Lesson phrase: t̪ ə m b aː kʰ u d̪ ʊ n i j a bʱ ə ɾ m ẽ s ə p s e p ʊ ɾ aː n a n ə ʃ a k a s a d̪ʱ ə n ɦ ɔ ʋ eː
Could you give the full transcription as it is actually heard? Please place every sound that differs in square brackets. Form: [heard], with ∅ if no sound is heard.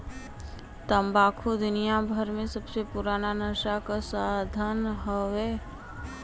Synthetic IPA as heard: t̪ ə m b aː kʰ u d̪ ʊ n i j a bʱ ə ɾ m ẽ s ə [b] s e p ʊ ɾ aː n a n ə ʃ a k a s a d̪ʱ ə n ɦ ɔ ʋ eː